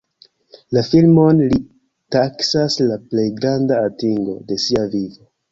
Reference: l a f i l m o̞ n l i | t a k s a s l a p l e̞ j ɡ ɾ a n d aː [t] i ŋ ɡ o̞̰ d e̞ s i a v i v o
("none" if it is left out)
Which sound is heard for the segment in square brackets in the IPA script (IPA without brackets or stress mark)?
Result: t